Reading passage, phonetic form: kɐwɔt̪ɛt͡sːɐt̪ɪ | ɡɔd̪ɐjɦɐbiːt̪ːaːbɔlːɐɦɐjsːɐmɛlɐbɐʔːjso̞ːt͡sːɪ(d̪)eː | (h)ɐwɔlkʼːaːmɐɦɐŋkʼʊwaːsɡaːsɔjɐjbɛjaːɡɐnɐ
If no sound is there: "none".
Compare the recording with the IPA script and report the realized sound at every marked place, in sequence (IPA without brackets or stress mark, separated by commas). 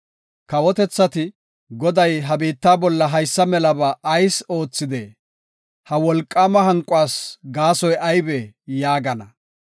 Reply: d̪, h